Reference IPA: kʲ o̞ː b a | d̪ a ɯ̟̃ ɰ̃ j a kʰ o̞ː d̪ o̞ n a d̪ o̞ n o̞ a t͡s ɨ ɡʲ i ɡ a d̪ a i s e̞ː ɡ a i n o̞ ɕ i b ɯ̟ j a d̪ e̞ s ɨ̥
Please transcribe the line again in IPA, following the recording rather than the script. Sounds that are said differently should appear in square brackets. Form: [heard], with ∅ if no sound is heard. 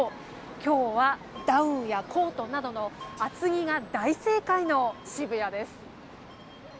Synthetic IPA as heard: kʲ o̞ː [β] a | d̪ a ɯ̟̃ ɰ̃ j a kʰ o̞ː [t̪] o̞ n a d̪ o̞ n o̞ a t͡s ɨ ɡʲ i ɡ a d̪ a i s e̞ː [k] a i n o̞ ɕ i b ɯ̟ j a d̪ e̞ s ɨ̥